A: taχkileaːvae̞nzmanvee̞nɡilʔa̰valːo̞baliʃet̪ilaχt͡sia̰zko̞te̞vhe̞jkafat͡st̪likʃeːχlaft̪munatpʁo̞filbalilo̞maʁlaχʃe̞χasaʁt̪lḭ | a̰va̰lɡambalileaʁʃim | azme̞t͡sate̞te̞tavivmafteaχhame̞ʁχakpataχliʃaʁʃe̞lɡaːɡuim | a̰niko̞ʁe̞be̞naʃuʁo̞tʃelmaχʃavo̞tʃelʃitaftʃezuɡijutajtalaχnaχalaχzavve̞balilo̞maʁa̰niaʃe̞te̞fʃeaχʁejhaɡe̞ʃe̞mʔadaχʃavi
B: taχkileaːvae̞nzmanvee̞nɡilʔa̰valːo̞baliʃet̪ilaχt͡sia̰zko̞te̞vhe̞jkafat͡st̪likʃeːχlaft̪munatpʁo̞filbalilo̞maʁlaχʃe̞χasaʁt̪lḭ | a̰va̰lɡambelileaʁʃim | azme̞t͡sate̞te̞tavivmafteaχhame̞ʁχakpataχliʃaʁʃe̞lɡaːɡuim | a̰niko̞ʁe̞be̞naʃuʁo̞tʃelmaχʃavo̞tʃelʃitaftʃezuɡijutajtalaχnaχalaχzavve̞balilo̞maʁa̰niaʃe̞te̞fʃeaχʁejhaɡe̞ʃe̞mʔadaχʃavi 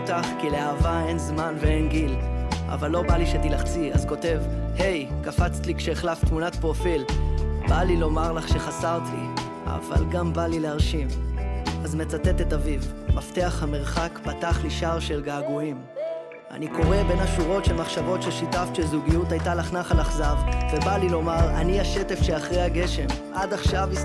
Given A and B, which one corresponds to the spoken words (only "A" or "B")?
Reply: A